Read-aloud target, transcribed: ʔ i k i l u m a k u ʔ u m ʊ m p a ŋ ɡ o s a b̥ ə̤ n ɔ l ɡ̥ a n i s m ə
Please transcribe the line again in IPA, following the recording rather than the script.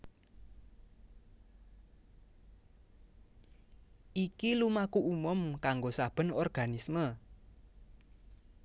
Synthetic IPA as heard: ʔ i k i l u m a k u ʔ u m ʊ m k a ŋ ɡ o s a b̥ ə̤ n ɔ r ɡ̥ a n i s m ə